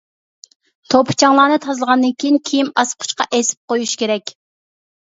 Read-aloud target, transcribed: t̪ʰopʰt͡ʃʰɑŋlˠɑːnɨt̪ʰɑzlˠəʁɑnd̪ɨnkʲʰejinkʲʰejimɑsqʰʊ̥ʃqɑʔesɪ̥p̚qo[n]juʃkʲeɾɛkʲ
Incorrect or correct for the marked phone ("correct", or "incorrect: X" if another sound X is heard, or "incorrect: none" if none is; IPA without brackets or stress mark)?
incorrect: none